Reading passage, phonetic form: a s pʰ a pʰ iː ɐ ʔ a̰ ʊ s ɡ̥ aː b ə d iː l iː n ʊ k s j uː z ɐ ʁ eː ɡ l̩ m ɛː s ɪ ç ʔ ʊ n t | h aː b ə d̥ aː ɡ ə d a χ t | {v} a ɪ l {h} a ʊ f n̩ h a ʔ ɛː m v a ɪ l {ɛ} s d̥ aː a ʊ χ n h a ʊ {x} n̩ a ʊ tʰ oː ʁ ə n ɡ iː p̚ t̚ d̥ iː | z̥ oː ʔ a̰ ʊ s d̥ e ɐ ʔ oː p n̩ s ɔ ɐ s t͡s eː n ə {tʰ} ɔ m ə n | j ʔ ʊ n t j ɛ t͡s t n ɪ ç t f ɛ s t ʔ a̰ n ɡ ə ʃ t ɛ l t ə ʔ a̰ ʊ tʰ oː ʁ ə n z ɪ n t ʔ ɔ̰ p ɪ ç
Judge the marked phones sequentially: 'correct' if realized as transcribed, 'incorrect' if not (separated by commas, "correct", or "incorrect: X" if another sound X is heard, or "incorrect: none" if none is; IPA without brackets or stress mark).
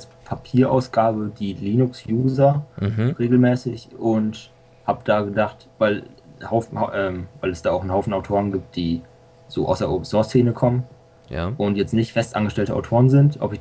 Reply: correct, correct, correct, incorrect: f, incorrect: kʰ